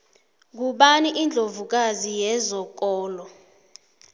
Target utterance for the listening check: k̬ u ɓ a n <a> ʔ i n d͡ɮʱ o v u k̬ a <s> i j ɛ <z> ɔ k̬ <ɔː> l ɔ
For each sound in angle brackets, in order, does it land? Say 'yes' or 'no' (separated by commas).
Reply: no, no, yes, yes